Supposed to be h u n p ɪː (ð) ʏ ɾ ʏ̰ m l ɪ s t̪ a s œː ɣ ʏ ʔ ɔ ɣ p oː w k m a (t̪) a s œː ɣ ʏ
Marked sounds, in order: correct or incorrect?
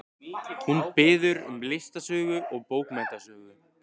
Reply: correct, correct

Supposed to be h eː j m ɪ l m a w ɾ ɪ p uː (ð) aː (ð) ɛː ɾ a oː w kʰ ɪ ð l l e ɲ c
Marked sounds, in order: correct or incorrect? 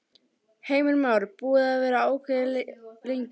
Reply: correct, incorrect: v

